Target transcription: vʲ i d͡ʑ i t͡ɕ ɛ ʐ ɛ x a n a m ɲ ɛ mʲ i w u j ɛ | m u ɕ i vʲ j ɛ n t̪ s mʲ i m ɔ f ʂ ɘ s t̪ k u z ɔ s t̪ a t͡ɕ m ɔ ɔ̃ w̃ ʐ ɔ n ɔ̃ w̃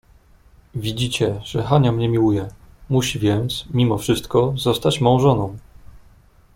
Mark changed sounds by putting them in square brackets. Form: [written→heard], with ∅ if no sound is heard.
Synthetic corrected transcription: vʲ i d͡ʑ i t͡ɕ ɛ ʐ ɛ x a [n→ɲ] a m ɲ ɛ mʲ i w u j ɛ | m u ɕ i vʲ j ɛ n t̪ s mʲ i m ɔ f ʂ ɘ s t̪ k [u→ɔ] z ɔ s t̪ a t͡ɕ m ɔ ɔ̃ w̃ ʐ ɔ n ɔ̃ w̃